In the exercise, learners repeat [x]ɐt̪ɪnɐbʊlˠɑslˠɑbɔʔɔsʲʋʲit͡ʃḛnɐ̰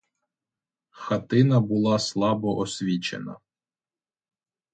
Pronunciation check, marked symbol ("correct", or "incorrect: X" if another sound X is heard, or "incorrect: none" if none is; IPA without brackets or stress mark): correct